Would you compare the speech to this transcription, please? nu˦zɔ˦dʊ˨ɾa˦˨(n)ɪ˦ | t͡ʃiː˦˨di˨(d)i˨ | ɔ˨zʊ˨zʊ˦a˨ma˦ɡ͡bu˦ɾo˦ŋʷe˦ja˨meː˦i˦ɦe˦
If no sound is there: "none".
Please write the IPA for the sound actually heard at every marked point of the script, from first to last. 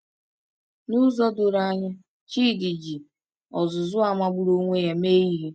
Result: ɲ, d͡ʒ

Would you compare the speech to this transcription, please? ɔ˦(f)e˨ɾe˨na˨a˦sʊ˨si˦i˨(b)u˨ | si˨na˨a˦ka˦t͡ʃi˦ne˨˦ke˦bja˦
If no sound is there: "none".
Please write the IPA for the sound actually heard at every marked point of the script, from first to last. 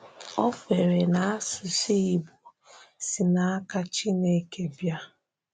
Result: f, b

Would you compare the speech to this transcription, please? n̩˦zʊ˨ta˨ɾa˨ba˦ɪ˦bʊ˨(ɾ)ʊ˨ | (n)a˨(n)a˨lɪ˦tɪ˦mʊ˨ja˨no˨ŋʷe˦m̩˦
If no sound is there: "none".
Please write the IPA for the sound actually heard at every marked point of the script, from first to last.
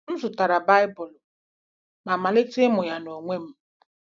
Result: l, m, m

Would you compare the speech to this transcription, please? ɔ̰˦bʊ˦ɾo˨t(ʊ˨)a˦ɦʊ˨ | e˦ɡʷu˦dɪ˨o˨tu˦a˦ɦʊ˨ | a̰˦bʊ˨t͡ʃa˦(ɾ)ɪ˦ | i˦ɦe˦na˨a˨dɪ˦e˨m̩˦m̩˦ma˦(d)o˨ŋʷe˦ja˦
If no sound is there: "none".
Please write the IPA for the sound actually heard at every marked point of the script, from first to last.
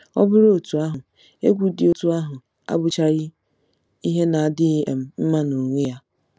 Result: u˨, ɾ, n

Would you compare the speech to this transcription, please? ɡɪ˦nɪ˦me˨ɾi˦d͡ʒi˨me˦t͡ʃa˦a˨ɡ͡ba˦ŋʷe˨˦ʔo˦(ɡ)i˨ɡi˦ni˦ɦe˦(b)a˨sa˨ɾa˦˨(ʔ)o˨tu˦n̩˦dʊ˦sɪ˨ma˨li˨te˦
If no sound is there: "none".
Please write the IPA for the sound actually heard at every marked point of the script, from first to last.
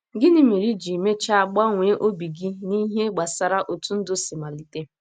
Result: b, ɡ͡b, ʔ

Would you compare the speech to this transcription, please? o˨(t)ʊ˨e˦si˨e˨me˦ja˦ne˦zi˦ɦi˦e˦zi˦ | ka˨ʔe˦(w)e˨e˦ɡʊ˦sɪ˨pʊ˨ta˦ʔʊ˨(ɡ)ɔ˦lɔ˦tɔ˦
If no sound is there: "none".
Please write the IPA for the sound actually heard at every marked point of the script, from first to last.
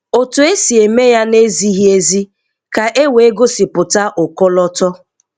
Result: t, w, k

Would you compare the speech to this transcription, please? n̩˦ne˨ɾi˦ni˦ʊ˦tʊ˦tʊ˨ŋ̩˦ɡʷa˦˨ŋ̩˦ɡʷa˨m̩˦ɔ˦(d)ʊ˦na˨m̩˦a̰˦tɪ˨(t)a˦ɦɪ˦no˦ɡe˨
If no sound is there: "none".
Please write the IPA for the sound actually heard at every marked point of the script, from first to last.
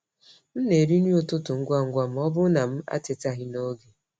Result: b, t

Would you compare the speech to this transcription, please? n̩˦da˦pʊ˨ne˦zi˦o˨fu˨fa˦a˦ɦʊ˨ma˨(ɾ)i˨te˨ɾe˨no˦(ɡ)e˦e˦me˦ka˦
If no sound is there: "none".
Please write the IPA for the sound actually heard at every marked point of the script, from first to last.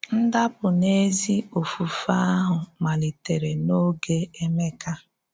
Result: l, ɡ

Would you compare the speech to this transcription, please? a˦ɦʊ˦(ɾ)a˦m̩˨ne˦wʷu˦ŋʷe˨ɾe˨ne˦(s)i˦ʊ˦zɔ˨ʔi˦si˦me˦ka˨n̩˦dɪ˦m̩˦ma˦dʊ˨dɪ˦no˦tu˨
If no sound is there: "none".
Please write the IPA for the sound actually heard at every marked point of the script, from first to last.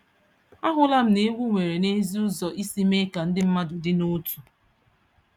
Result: l, z

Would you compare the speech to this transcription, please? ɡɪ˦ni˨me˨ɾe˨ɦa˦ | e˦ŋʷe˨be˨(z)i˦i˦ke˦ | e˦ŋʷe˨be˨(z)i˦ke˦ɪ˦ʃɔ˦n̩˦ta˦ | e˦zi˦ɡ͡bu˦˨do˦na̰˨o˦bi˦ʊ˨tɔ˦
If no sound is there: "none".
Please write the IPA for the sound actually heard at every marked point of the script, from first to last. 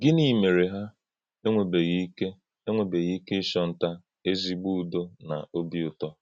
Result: ɣ, ɣ

